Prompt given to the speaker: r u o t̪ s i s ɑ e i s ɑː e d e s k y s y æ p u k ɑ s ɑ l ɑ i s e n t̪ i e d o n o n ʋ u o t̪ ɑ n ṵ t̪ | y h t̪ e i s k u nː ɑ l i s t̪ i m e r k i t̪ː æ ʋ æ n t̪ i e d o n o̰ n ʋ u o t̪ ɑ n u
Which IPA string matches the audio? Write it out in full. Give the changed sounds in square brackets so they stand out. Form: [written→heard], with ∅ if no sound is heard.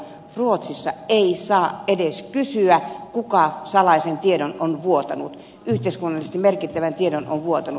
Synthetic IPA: r u o t̪ s i [s→sː] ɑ e i s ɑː e d e s k y s y æ [p→k] u k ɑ s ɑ l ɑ i s e n t̪ i e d o n o n ʋ u o t̪ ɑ n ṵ t̪ | y h t̪ e i s k u nː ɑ l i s t̪ i m e r k i t̪ː æ ʋ æ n t̪ i e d o n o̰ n ʋ u o t̪ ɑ n u

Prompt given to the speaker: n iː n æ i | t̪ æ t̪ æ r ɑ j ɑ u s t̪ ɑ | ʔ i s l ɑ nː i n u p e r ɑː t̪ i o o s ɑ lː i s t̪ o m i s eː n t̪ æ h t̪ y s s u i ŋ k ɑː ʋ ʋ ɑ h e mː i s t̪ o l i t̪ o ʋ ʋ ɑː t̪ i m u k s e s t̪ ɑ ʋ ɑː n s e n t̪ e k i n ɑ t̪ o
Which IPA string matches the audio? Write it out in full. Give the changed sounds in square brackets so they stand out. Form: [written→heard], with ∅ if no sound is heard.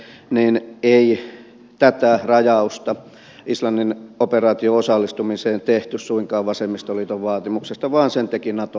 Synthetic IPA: n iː n [æ→e] i | t̪ æ t̪ æ r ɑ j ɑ u s t̪ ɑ | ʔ i s l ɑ nː i n [u→o] p e r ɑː t̪ i o o s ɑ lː i s t̪ [o→u] m i s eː n t̪ [æ→e] h t̪ y s s u i ŋ k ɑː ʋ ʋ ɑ [h→s] e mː i s t̪ o l i t̪ o ʋ ʋ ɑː t̪ i m u k s e s t̪ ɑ ʋ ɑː n s e n t̪ e k i n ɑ t̪ o

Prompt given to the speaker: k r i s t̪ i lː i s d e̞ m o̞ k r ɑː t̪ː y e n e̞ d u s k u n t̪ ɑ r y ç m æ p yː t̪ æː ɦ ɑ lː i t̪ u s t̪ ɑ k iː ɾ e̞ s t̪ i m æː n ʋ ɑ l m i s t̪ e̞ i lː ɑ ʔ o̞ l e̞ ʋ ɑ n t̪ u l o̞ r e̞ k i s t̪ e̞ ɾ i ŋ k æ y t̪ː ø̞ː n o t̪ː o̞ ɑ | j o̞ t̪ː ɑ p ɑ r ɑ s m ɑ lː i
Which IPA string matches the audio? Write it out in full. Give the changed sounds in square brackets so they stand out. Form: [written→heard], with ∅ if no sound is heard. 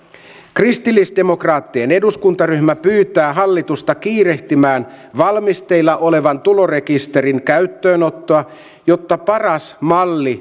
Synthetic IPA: k r i s t̪ i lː i s d e̞ m o̞ k r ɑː t̪ː [y→i] e n e̞ d u s k u n t̪ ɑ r y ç m æ p yː t̪ æː ɦ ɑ lː i t̪ u s t̪ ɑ k iː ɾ e̞ [s→h] t̪ i m æː n ʋ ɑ l m i s t̪ e̞ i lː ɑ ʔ o̞ l e̞ ʋ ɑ n t̪ u l o̞ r e̞ k i s t̪ e̞ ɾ i ŋ k æ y t̪ː ø̞ː n o t̪ː o̞ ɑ | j o̞ t̪ː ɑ p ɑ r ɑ s m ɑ lː i

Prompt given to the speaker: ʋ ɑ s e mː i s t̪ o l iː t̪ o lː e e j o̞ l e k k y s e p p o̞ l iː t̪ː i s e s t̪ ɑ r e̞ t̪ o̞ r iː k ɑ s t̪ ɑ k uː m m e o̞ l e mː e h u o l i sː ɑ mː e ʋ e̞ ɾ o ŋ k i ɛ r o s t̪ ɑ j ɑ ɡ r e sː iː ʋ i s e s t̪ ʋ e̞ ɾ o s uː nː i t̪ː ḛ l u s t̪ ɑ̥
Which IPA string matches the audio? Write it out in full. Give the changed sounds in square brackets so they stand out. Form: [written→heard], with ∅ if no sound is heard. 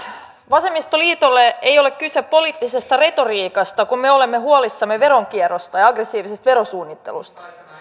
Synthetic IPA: ʋ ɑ s e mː i s t̪ o l iː t̪ o lː e e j o̞ l e k k y s e p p o̞ l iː t̪ː i s e s t̪ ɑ r e̞ t̪ o̞ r iː k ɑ s t̪ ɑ k [uː→u] m m e o̞ l e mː e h u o l i sː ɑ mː e ʋ e̞ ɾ o ŋ k i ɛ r o s t̪ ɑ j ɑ ɡ r e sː iː ʋ i s e s t̪ ʋ e̞ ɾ o s uː nː i t̪ː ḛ l u s t̪ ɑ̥

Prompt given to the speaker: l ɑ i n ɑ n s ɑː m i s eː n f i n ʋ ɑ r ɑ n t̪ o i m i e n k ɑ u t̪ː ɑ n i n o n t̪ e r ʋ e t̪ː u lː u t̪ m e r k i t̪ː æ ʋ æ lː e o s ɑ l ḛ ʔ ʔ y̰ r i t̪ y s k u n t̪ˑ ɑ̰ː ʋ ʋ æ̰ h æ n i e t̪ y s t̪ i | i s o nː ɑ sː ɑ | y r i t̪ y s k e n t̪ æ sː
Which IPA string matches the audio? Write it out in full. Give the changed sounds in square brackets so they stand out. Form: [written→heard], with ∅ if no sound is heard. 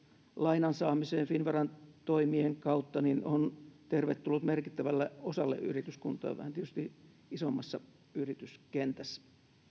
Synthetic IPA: l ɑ i n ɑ n s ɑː m i s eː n f i n ʋ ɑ r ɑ n t̪ o i m i e [n→ŋ] k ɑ u t̪ː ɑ n i n o n t̪ e r ʋ e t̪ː u lː u t̪ m e r k i t̪ː æ ʋ æ lː e o s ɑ [l→lː] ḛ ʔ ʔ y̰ r i t̪ y s k u n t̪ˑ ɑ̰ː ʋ ʋ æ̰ h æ n i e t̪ y s t̪ i | i s o [nː→mː] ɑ sː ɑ | y r i t̪ y s k e n t̪ æ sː

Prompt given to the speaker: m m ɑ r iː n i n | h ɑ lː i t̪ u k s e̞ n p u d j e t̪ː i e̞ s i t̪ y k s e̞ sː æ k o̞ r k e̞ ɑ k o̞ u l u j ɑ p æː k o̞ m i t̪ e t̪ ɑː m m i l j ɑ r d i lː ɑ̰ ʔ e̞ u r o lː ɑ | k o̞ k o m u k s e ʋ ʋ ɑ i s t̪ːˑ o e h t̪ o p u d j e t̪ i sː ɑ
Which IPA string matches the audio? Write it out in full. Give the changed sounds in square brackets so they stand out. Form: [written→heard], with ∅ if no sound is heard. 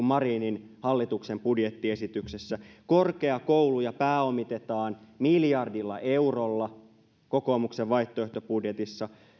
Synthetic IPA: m m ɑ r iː n i n | h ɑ lː i t̪ u k s e̞ [n→m] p u d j e t̪ː i e̞ s i t̪ y k s e̞ sː æ k o̞ r k e̞ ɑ k o̞ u l u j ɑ p æː [k→∅] o̞ m i t̪ e t̪ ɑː [m→n] m i l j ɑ r d i lː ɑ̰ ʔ e̞ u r o lː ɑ | k o̞ k o m u k s e ʋ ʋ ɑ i [s→h] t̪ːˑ o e h t̪ o p u d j e t̪ i sː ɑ

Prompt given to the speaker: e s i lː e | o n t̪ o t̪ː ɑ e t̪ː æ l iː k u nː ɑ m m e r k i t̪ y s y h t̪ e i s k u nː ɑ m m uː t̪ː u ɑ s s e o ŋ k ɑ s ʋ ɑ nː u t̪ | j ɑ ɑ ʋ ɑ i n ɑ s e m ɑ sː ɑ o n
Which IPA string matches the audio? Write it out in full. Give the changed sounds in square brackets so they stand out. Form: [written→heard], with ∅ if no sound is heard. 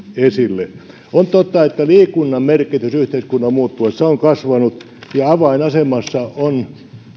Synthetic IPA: e s i lː e | o n t̪ o t̪ː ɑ e t̪ː æ l iː k u nː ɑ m m e r k i t̪ y s y h t̪ e i s k u nː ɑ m m uː t̪ː u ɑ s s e o ŋ k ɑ s ʋ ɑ [nː→n] u t̪ | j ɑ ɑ ʋ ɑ i n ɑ s e m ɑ sː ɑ o n

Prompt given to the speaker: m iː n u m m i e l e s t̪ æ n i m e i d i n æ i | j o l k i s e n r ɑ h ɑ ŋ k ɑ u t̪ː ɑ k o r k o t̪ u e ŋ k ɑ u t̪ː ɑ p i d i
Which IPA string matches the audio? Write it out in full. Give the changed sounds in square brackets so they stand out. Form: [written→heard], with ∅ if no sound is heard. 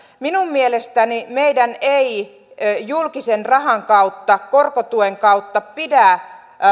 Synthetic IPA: m [iː→i] n u m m i e l e s t̪ æ n i m e i d [i→æ] n [æ→e] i | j [o→u] l k i s e n r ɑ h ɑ ŋ k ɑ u t̪ː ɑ k o r k o t̪ u e ŋ k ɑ u t̪ː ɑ p i d [i→æ]

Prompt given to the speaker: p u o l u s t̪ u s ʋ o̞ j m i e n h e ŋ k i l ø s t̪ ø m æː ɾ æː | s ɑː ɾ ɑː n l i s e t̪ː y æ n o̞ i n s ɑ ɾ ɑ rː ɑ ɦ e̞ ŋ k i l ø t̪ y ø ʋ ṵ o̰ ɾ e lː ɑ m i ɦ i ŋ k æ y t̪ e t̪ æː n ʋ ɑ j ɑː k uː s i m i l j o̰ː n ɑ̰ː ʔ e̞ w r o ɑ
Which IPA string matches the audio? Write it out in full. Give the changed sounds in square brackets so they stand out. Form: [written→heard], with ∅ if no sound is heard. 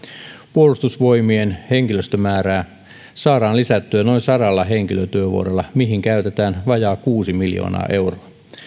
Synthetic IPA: p u o l u s t̪ u s ʋ o̞ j m i e n h e ŋ k i l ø s t̪ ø m æː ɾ æː | s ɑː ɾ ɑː n l i s [e→æ] t̪ː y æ n o̞ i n s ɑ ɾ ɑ [rː→lː] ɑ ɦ e̞ ŋ k i l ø t̪ y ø ʋ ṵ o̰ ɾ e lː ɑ m i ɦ i ŋ k æ y t̪ e t̪ æː n ʋ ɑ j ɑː k uː s i m i l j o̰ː n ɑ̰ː ʔ e̞ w r o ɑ

